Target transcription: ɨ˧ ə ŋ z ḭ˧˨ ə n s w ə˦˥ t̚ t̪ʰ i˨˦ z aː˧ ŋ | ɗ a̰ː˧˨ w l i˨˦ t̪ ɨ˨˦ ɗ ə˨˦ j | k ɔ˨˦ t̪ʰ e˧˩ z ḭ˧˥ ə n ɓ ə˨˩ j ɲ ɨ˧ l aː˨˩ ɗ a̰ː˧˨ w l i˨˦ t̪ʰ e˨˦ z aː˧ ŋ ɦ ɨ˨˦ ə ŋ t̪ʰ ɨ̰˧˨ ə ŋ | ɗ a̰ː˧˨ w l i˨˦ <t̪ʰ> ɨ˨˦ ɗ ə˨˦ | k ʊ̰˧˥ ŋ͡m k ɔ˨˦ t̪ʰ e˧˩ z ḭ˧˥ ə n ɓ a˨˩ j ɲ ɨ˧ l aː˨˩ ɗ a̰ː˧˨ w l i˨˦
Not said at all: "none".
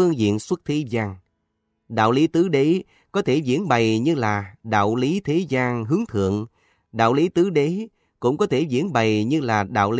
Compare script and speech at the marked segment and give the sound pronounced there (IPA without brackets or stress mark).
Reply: t̪